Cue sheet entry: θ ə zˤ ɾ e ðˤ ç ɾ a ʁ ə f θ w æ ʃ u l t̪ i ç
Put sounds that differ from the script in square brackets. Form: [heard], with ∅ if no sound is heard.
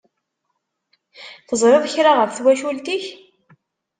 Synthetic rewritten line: θ ə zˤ ɾ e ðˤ ç ɾ a ʁ ə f θ w æ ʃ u l t̪ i ç